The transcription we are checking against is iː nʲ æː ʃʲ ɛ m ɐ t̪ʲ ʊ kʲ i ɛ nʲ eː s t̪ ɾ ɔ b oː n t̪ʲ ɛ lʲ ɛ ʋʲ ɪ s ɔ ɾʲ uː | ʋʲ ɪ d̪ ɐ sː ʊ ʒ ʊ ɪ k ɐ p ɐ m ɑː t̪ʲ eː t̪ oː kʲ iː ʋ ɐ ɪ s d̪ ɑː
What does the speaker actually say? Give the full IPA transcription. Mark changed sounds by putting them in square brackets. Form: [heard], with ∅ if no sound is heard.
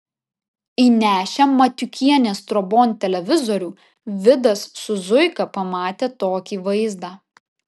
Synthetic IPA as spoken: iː nʲ æː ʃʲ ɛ m ɐ t̪ʲ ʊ kʲ i ɛ nʲ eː s t̪ ɾ ɔ b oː n t̪ʲ ɛ lʲ ɛ ʋʲ ɪ [z] ɔ ɾʲ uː | ʋʲ ɪ d̪ ɐ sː ʊ [z] ʊ ɪ k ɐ p ɐ m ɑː t̪ʲ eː t̪ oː kʲ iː ʋ ɐ ɪ [z] d̪ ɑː